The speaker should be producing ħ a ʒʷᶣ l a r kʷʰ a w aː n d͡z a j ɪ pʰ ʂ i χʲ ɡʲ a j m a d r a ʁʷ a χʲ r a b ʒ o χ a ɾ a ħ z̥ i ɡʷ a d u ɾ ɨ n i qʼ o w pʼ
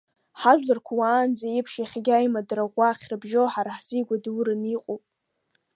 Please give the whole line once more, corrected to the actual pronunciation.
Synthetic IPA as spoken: ħ a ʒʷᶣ l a r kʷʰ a w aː n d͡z a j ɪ pʰ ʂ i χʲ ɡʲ a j m a d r a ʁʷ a χʲ r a b ʒ o ħ a ɾ a ħ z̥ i ɡʷ a d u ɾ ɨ n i qʼ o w pʼ